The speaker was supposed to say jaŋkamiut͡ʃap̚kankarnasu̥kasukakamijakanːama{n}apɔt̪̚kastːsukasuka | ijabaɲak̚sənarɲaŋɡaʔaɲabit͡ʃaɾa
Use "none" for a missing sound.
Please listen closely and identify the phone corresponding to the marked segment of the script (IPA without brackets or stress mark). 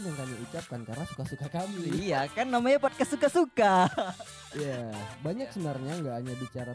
ɲ